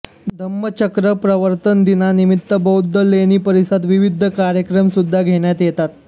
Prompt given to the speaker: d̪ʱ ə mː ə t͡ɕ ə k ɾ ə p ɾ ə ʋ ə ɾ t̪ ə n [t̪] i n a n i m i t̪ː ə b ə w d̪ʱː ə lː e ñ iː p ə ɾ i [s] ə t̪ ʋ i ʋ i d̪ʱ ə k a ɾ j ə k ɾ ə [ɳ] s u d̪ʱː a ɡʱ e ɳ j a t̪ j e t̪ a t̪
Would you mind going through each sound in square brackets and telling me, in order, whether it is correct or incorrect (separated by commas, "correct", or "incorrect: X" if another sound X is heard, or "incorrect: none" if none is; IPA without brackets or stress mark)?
incorrect: d̪, correct, incorrect: m